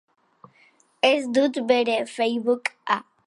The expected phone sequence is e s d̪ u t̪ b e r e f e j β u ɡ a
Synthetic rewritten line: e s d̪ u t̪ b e ɾ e f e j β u k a